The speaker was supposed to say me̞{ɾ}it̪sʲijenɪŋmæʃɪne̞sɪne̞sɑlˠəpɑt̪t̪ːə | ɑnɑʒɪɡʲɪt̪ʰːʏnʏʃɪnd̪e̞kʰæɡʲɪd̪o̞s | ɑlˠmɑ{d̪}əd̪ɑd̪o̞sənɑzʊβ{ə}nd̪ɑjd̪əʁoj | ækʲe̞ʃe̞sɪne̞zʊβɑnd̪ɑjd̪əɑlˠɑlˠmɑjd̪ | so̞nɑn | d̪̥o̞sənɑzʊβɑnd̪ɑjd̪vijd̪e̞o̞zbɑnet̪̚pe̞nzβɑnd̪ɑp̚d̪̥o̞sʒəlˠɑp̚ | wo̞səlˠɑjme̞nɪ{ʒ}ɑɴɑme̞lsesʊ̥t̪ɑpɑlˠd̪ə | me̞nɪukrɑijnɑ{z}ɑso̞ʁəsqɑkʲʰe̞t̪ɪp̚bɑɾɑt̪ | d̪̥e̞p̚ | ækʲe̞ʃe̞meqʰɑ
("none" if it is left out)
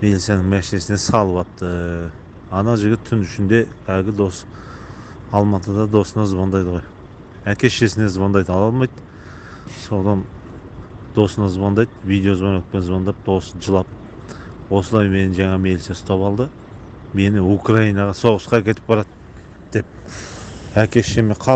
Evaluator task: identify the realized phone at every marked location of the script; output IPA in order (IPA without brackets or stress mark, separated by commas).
l, t̪, ɑ, ʒ, ʁ